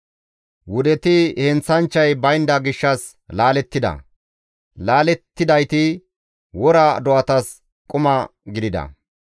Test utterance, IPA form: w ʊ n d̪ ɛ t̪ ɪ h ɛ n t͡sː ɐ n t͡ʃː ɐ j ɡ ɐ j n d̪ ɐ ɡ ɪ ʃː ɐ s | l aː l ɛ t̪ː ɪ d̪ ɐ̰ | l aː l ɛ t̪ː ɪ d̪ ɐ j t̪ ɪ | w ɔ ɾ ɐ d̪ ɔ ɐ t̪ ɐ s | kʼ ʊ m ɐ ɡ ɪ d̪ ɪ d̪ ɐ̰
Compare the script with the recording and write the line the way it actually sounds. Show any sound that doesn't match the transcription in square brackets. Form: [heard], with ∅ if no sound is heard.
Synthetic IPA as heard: w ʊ [∅] d̪ ɛ t̪ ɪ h ɛ n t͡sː ɐ n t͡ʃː ɐ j [b] ɐ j n d̪ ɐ ɡ ɪ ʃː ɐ s | l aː l ɛ t̪ː ɪ d̪ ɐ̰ | l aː l ɛ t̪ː ɪ d̪ ɐ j t̪ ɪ | w ɔ ɾ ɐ d̪ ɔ ɐ t̪ ɐ s | kʼ ʊ m ɐ ɡ ɪ d̪ ɪ d̪ ɐ̰